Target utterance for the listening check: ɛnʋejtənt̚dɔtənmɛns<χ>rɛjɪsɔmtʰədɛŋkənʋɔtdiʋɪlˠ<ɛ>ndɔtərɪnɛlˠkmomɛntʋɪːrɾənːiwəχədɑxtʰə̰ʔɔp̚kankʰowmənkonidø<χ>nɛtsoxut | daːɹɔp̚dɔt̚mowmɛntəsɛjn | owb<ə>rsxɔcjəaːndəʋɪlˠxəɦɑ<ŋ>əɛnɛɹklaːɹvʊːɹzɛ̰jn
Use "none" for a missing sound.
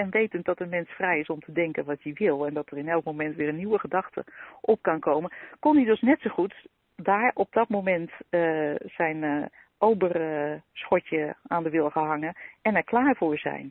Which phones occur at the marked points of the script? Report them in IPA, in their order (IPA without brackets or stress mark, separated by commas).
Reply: f, ɛ, s, ə, ŋ